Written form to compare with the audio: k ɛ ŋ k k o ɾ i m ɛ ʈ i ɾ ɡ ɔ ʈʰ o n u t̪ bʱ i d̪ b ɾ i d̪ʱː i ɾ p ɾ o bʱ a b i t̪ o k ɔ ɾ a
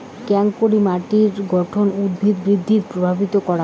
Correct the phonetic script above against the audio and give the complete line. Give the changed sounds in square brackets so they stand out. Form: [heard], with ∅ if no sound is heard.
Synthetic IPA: k ɛ ŋ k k o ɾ i m [a] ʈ i ɾ ɡ ɔ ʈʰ o n u [d̪] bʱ i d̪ b ɾ i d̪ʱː i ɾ p ɾ o bʱ a b i t̪ o k ɔ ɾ a

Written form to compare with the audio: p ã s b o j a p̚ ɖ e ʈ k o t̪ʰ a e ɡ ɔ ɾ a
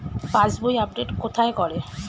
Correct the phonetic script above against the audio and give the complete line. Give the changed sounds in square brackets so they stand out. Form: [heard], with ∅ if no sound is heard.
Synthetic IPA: p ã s b o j a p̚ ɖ e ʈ k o t̪ʰ a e [k] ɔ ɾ [e]

